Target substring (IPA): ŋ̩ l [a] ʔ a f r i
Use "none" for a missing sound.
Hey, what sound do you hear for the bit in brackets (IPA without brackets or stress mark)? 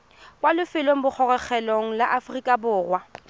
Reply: a